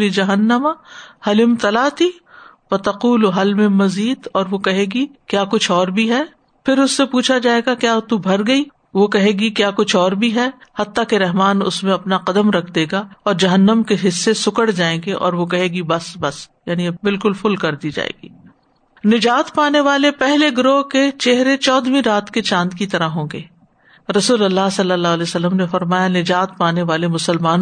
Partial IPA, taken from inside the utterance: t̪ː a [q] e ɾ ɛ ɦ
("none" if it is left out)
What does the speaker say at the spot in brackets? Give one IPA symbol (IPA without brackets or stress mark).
k